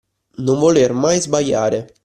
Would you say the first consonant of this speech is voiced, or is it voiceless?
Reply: voiced